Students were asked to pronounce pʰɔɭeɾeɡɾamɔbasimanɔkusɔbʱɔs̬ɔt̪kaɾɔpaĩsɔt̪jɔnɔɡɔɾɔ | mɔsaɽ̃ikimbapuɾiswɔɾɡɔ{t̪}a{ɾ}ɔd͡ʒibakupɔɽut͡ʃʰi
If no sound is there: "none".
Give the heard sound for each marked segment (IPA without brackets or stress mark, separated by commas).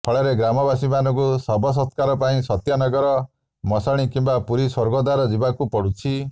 d̪, ɾ